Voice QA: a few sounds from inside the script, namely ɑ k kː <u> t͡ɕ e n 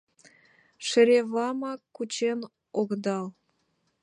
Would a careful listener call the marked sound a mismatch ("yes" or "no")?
no